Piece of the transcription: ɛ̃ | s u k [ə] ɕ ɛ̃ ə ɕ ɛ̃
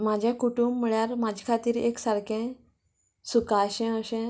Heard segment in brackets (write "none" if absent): a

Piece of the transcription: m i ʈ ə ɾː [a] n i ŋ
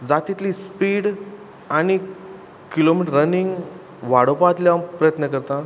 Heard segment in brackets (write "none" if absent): ə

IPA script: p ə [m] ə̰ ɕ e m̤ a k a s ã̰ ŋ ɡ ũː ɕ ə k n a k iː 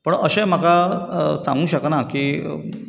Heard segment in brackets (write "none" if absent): ɳ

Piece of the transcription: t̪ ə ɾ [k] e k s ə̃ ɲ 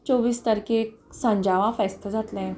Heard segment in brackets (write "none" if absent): k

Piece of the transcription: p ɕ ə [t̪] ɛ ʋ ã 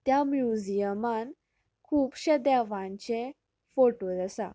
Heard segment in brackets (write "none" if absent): d̪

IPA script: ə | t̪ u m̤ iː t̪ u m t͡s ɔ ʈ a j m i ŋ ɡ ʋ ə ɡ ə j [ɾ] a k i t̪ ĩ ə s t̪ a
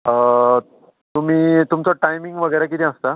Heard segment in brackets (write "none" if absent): ɾ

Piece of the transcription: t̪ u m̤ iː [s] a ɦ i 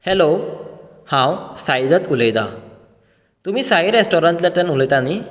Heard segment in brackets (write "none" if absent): s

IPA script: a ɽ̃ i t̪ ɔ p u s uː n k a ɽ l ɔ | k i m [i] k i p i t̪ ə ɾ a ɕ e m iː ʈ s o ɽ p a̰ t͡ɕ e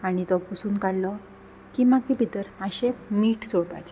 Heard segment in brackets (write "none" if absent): a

